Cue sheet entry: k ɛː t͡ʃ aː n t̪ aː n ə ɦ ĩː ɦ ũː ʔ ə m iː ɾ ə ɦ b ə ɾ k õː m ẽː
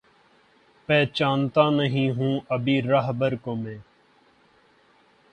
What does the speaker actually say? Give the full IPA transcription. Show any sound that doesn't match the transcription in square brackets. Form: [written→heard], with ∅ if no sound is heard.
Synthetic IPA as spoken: [k→p] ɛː t͡ʃ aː n t̪ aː n ə ɦ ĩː ɦ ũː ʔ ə [m→b] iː ɾ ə ɦ b ə ɾ k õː m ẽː